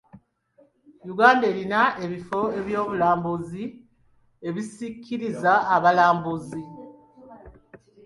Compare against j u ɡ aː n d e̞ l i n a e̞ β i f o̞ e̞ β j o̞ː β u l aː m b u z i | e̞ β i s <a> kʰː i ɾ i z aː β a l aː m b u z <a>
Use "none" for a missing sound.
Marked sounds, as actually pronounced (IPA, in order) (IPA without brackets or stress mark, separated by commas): i, i